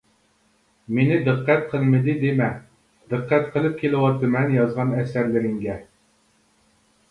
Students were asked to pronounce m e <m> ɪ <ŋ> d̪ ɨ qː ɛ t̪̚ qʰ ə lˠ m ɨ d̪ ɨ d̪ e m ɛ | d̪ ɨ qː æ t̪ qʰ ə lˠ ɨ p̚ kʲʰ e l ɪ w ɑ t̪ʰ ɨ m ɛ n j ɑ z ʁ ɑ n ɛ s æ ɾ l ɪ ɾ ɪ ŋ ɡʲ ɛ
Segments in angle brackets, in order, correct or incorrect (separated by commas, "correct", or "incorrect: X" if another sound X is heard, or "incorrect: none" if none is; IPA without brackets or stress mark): incorrect: n, incorrect: none